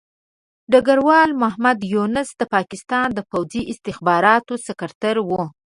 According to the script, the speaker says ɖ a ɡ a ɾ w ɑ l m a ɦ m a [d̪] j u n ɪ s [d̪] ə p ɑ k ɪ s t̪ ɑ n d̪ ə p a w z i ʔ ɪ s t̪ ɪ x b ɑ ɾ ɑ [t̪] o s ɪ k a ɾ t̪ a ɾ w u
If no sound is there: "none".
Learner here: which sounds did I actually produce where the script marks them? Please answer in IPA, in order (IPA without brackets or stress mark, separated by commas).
d̪, d̪, t̪